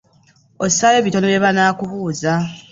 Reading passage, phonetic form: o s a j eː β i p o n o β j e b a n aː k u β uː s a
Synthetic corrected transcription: o s a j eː β i t o n o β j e β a n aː k u β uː z a